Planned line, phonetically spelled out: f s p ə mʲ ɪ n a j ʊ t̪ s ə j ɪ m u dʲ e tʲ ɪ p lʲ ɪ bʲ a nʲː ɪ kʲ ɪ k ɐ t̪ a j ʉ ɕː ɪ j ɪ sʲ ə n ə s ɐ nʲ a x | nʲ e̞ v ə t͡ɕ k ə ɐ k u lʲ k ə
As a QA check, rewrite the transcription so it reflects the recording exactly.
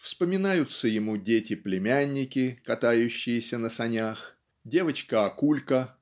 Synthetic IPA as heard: f s p ə mʲ ɪ n a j ʊ t̪ s ə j ɪ m u dʲ e tʲ ɪ p lʲ ɪ mʲ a nʲː ɪ kʲ ɪ k ɐ t̪ a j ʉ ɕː ɪ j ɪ sʲ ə n ə s ɐ nʲ a x | dʲ e̞ v ə t͡ɕ k ə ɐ k u lʲ k ə

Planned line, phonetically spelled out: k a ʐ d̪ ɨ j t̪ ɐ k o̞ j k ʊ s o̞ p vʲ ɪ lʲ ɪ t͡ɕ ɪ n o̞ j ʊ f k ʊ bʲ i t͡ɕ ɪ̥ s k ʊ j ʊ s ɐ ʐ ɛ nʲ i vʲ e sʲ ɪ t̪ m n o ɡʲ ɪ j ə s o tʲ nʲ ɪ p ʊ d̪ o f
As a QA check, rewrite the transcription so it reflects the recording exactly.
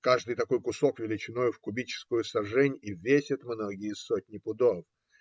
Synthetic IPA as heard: k a ʐ d̪ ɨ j t̪ ɐ k o̞ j k ʊ s o̞ k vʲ ɪ lʲ ɪ t͡ɕ ɪ n o̞ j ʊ f k ʊ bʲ i t͡ɕ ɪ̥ s k ʊ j ʊ s ɐ ʐ ɛ nʲ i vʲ e sʲ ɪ t̪ m n o ɡʲ ɪ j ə s o tʲ nʲ ɪ p ʊ d̪ o f

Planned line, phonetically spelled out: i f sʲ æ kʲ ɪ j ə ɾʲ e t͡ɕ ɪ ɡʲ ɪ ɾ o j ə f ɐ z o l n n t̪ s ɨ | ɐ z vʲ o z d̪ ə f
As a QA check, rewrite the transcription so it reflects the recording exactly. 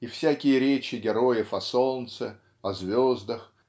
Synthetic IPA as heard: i f sʲ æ kʲ ɪ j ə ɾʲ e t͡ɕ ɪ ɡʲ ɪ ɾ o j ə f ɐ s o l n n t̪ s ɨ | ɐ z vʲ o z d̪ ə x

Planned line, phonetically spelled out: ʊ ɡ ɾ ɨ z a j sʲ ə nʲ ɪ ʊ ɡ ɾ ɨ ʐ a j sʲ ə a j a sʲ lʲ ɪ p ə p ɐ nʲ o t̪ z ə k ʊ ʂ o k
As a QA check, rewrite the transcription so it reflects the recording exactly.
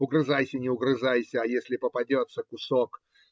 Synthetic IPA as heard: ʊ ɡ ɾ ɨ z a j sʲ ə nʲ ɪ ʊ ɡ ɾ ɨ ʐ a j sʲ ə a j e sʲ lʲ ɪ p ə p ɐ dʲ o t̪ s ə k ʊ s o k

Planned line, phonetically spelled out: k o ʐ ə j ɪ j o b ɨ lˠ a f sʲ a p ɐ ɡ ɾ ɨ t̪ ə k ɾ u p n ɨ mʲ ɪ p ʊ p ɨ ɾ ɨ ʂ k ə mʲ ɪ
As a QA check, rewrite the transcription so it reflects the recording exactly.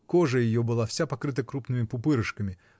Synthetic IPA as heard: k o ʐ ə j ɪ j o b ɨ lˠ a f sʲ a p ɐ k ɾ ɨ t̪ ə k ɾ u p n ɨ mʲ ɪ p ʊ p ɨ ɾ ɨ ʂ k ə mʲ ɪ

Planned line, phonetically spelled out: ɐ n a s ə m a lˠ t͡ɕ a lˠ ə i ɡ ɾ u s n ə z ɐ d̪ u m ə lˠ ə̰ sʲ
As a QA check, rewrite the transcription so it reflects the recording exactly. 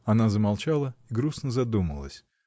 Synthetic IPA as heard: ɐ n a z ə m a lˠ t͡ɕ a lˠ ə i ɡ ɾ u s n ə z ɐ d̪ u m ə lˠ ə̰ sʲ

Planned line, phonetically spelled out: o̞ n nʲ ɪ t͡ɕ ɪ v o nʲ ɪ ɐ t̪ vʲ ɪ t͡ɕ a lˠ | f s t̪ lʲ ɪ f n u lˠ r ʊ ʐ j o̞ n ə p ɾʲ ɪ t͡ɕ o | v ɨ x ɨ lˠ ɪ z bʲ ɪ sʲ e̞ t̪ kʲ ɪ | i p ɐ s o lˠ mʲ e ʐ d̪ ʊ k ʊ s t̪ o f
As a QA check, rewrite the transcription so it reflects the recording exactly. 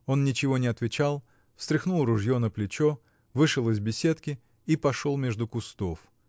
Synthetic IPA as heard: o̞ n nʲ ɪ t͡ɕ ɪ v o nʲ ɪ ɐ t̪ vʲ ɪ t͡ɕ a lˠ | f s t̪ ɾʲ ɪ x n u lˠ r ʊ ʐ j o̞ n ə p lʲ ɪ t͡ɕ o | v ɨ ʂ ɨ lˠ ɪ z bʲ ɪ sʲ e̞ t̪ kʲ ɪ | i p ɐ ʂ o lˠ mʲ e ʐ d̪ ʊ k ʊ s t̪ o f

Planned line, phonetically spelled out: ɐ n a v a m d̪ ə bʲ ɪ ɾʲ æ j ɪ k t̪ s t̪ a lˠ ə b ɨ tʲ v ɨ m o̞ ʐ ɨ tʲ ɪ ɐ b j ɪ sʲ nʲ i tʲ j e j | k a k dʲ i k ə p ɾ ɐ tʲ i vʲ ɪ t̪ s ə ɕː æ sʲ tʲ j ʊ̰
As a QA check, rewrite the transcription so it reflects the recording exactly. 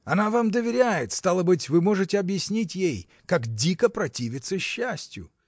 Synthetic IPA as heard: ɐ n a v a m d̪ ə vʲ ɪ ɾʲ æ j ɪ t̪ s t̪ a lˠ ə b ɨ tʲ v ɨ m o̞ ʐ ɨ tʲ ɪ ɐ b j ɪ sʲ nʲ i tʲ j e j | k a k dʲ i k ə p ɾ ɐ tʲ i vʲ ɪ t̪ s ə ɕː æ sʲ tʲ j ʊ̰

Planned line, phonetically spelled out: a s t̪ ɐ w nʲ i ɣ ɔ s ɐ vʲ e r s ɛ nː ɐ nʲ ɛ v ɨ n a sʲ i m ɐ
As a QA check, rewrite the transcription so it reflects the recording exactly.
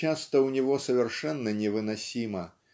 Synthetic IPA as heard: a s t̪ ɐ w nʲ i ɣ ɔ s ɐ vʲ ɛ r ʂ ɛ nː ɐ nʲ ɛ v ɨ n a sʲ i m ɐ

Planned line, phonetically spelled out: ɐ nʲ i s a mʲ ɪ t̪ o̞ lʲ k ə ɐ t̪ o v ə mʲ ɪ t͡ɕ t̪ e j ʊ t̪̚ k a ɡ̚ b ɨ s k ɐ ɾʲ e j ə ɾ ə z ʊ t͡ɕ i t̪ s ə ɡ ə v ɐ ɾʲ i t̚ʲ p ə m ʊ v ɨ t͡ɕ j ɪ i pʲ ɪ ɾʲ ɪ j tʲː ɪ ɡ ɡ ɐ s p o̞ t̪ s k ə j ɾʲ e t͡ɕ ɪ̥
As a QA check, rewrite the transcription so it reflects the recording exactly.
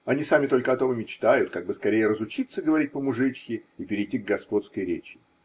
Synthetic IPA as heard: ɐ nʲ i s a mʲ ɪ t̪ o̞ lʲ k ə ɐ t̪ o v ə mʲ ɪ t͡ɕ t̪ a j ʊ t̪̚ k a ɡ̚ b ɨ s k ɐ ɾʲ e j ə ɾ ə z ʊ t͡ɕ i t̪ s ə ɡ ə v ɐ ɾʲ i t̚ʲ p ə m ʊ ʐ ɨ t͡ɕ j ɪ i pʲ ɪ ɾʲ ɪ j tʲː i ɡ ɡ ɐ s p o̞ t̪ s k ə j ɾʲ e t͡ɕ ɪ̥

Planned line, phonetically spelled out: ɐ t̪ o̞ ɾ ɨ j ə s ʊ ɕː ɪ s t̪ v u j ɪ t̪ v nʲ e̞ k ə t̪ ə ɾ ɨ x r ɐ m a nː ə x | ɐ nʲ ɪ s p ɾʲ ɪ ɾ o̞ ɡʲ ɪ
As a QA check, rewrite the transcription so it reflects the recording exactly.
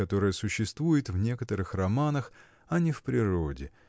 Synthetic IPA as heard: ɐ t̪ o̞ ɾ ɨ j ə s ʊ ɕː ɪ s t̪ v u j ɪ t̪ v nʲ e̞ k ə t̪ ə ɾ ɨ x r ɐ m a n ə x | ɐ nʲ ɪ f p ɾʲ ɪ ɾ o̞ dʲ ɪ

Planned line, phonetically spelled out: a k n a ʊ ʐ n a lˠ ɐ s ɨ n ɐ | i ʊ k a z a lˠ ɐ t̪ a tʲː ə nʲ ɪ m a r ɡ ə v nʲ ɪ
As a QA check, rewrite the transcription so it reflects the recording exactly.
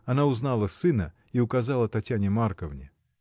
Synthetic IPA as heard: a n a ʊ z n a lˠ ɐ s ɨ n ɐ | i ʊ k a z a lˠ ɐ t̪ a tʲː a nʲ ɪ m a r k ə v nʲ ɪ

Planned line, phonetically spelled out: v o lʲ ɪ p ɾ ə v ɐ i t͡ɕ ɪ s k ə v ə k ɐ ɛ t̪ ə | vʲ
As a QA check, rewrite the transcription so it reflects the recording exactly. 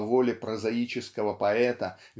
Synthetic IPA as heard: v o lʲ ɪ p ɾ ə z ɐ i t͡ɕ ɪ s k ə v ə p ɐ ɛ t̪ ə | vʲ

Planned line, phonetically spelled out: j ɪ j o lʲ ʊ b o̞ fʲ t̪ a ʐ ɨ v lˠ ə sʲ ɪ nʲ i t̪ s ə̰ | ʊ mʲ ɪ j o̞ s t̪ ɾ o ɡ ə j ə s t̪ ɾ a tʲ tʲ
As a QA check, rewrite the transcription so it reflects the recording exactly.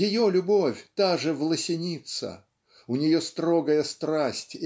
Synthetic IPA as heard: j ɪ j o lʲ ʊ b o̞ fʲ t̪ a ʐ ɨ v lˠ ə sʲ ɪ nʲ i t̪ s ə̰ | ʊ nʲ ɪ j o̞ s t̪ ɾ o ɡ ə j ə s t̪ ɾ a sʲ tʲ

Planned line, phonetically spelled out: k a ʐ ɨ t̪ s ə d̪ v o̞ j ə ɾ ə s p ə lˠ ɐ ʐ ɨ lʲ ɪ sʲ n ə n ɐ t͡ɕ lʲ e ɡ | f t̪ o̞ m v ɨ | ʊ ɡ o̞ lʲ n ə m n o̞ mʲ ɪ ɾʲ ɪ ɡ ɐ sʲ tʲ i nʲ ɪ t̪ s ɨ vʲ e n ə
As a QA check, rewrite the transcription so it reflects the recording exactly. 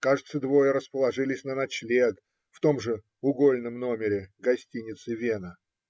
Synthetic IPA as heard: k a ʐ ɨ t̪ s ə d̪ v o̞ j ə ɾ ə s p ə lˠ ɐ ʐ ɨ lʲ ɪ sʲ n ə n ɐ t͡ɕ lʲ e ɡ | f t̪ o̞ m ʐ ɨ | ʊ ɡ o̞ lʲ n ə m n o̞ mʲ ɪ ɾʲ ɪ ɡ ɐ sʲ tʲ i nʲ ɪ t̪ s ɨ vʲ e n ə

